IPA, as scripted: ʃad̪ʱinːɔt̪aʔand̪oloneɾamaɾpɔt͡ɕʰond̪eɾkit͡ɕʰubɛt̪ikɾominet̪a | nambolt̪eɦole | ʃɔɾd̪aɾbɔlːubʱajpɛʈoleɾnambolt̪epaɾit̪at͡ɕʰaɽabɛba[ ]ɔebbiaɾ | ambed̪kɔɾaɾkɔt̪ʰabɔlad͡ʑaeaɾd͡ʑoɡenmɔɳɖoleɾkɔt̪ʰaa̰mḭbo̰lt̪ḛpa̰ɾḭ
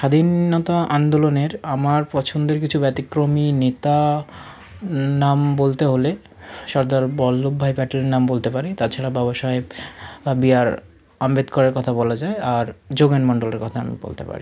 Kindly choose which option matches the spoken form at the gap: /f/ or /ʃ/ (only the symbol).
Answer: ʃ